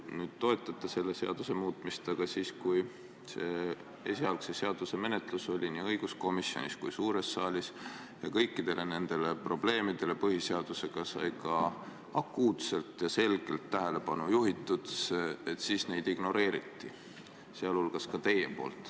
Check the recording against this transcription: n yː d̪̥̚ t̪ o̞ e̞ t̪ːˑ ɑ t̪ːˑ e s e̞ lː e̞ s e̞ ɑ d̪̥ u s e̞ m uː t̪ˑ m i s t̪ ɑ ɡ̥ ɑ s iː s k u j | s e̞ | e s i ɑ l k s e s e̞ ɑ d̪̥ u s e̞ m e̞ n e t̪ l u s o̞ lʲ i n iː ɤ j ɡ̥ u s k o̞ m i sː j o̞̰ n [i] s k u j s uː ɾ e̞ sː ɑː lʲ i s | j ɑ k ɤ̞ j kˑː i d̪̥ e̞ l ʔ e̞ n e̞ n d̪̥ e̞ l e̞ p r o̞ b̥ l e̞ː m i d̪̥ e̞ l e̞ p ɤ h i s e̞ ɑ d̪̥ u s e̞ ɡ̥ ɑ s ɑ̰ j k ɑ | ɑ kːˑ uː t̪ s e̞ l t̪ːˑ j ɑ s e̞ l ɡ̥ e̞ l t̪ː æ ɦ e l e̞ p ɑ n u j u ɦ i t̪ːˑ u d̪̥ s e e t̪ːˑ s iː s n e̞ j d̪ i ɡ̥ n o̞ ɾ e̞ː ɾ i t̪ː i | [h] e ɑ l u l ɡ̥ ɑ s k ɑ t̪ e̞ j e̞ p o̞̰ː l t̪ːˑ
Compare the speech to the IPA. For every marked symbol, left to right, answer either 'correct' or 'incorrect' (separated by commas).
correct, incorrect